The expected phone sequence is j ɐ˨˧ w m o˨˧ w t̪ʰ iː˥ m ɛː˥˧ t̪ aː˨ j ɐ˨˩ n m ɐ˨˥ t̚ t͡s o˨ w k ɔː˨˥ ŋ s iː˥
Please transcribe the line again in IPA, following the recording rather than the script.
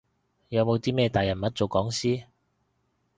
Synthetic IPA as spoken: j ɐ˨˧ w m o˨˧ w t̪ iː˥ m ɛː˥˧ t̪ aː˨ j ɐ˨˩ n m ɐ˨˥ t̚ t͡s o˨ w k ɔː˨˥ ŋ s iː˥